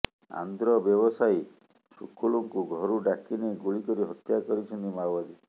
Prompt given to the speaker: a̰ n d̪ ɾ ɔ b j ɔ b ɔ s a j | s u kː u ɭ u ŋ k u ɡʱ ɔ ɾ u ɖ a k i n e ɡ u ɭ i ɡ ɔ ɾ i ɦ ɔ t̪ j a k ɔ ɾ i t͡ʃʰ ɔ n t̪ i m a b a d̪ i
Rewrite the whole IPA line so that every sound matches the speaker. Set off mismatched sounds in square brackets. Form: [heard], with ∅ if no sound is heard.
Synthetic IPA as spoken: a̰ n d̪ ɾ ɔ b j ɔ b ɔ s a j | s u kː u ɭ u ŋ k u ɡʱ ɔ ɾ u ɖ a k i n e ɡ u ɭ i [k] ɔ ɾ i ɦ ɔ t̪ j a k ɔ ɾ i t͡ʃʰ ɔ n t̪ i m a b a d̪ i